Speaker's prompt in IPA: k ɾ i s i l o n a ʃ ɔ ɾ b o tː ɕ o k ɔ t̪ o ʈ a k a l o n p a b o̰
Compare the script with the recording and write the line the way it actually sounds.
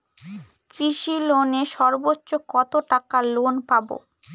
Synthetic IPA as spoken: k ɾ i ʃ i l o n e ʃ ɔ ɾ b o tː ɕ o k ɔ t̪ o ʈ a k a l o n p a b o̰